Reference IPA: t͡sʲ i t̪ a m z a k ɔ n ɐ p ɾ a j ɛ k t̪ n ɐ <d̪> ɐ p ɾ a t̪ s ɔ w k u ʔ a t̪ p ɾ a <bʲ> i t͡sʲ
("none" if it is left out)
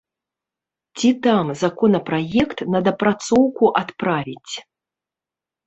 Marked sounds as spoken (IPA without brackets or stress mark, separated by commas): d̪, vʲ